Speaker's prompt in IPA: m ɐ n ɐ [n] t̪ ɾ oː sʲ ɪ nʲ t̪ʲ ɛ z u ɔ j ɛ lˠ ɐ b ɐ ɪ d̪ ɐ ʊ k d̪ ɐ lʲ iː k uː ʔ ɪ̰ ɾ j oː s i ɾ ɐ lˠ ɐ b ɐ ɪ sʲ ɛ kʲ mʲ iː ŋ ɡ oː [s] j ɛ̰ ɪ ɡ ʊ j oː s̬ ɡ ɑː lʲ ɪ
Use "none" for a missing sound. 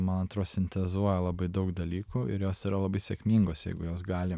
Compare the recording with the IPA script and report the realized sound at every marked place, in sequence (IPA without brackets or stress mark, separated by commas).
n, s